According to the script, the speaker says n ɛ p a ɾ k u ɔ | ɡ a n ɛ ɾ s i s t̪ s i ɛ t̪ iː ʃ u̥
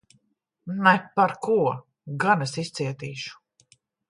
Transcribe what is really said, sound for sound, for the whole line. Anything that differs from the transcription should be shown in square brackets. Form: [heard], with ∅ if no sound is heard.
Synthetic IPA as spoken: n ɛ p a ɾ k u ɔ | ɡ a n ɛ [∅] s i s t̪ s i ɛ t̪ iː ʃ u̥